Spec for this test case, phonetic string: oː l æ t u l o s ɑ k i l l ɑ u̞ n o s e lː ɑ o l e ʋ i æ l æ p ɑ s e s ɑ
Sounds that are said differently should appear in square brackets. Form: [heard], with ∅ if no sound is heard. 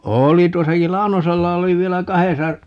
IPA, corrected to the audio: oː l [i] t u [∅] o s ɑ k i l l ɑ u̞ n o s e lː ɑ o l [i] ʋ i [e] l æ [k] ɑ [h] e s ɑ